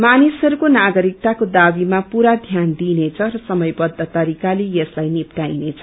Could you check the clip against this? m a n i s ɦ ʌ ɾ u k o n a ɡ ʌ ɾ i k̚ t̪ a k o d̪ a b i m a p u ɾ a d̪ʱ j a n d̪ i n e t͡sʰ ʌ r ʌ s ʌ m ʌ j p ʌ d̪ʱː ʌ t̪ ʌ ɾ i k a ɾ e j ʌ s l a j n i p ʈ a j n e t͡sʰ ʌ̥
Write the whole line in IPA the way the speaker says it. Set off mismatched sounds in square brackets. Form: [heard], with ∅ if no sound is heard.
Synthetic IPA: m a n i s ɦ ʌ ɾ u k o n a ɡ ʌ ɾ i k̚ t̪ a k o d̪ a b i m a p u ɾ a d̪ʱ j a n d̪ i n e t͡sʰ ʌ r ʌ s ʌ m ʌ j [b] ʌ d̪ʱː ʌ t̪ ʌ ɾ i k a [l] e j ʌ s l a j n i p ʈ a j n e t͡sʰ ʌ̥